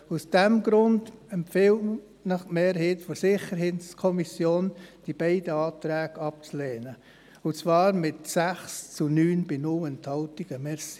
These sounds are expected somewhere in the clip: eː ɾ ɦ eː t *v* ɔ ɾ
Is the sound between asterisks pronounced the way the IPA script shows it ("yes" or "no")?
no